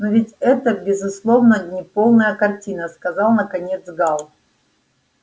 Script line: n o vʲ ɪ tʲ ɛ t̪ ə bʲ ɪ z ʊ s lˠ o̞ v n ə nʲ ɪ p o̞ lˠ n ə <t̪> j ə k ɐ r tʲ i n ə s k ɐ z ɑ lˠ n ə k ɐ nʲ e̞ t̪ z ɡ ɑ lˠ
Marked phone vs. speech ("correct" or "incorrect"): incorrect